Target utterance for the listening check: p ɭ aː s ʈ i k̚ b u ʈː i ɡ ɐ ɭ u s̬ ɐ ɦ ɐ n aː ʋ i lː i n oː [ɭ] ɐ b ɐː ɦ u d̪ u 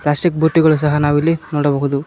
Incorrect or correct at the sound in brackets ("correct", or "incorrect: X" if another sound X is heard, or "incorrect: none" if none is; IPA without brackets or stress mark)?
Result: incorrect: ɽ